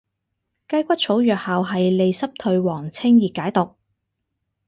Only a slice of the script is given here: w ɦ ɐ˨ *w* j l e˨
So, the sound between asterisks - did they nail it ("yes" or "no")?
no